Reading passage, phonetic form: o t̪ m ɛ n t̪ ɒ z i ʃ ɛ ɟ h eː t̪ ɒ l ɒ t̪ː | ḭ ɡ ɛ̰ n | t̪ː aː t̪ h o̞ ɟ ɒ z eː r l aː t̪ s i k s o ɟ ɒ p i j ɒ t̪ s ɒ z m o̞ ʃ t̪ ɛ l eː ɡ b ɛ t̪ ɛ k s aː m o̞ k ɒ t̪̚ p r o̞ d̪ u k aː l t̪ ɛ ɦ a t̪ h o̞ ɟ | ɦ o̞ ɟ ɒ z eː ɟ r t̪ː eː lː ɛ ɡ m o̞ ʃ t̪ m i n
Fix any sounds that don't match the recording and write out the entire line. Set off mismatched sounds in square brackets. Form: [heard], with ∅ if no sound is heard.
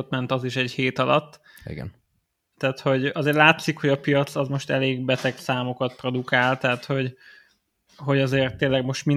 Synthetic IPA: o t̪ m ɛ n t̪ ɒ z i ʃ ɛ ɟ h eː t̪ ɒ l ɒ t̪ː | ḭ ɡ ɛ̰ n | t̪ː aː t̪ h o̞ ɟ ɒ z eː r l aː t̪ s i k [h] o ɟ ɒ p i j ɒ t̪ s ɒ z m o̞ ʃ t̪ ɛ l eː ɡ b ɛ t̪ ɛ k s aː m o̞ k ɒ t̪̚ p r o̞ d̪ u k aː l t̪ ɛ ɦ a t̪ h o̞ ɟ | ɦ o̞ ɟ ɒ z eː [∅] r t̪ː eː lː ɛ ɡ m o̞ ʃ t̪ m i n